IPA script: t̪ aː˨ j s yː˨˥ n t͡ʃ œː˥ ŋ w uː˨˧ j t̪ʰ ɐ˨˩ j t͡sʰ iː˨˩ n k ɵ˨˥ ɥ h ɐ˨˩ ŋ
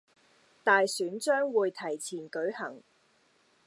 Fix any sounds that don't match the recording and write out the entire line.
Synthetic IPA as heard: t̪ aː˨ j s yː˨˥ n t͡ʃ œː˥ ŋ w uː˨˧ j t̪ʰ ɐ˨˩ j t͡sʰ iː˨˩ n k ɵ˨˥ ɥ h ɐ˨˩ ŋ